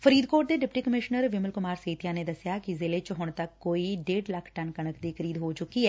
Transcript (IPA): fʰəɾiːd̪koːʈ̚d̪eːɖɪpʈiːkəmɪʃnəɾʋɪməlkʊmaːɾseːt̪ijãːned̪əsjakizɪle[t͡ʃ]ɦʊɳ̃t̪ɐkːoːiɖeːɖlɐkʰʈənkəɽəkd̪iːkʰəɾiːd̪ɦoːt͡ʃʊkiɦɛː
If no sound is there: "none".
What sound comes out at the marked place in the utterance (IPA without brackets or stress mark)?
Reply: t͡ʃ